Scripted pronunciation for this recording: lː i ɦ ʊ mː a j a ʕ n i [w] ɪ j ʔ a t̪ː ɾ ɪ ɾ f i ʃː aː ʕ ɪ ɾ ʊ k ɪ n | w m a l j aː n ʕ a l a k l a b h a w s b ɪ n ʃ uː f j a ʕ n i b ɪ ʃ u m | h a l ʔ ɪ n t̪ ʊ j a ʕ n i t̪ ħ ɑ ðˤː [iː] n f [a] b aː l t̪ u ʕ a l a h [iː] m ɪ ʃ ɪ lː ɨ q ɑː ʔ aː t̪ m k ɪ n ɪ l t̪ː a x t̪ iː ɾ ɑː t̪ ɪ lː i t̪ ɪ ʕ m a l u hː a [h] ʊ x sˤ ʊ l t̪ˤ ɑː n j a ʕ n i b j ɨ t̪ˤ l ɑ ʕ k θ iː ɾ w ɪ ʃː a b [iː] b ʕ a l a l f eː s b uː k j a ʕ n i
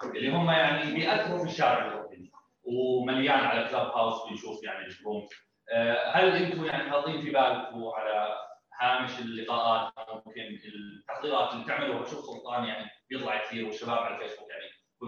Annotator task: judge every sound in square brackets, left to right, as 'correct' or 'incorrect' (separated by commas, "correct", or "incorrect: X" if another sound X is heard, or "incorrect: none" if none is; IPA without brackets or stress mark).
incorrect: b, correct, incorrect: i, incorrect: aː, incorrect: ʃ, incorrect: aː